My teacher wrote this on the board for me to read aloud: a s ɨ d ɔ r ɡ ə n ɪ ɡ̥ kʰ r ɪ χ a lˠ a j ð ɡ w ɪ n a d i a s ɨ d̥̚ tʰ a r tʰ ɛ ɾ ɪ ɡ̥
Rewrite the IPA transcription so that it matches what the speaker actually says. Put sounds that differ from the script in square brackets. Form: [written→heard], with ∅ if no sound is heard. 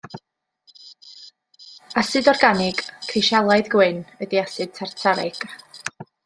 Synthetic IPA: a s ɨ d ɔ r ɡ [ə→a] n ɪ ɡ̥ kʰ r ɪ [χ→ʃ] a lˠ a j ð ɡ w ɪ n [a→ə] d i a s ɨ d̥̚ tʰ a r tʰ [ɛ→a] ɾ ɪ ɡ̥